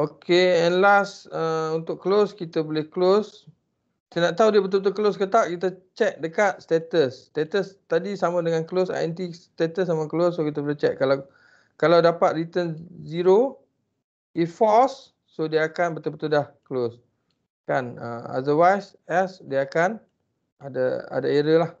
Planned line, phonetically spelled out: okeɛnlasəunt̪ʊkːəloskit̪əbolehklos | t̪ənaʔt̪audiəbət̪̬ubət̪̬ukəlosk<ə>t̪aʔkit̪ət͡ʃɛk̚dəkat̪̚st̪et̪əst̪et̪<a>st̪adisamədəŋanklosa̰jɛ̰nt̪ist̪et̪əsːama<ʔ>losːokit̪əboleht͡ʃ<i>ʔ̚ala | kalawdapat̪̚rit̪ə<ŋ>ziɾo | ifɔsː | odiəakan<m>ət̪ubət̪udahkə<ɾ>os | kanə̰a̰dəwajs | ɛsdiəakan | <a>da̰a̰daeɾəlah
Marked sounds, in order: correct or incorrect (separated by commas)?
correct, incorrect, incorrect, incorrect, incorrect, incorrect, incorrect, correct